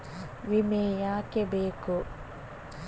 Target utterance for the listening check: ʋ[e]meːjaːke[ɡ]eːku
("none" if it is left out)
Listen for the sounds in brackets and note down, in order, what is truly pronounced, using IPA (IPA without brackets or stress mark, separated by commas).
i, b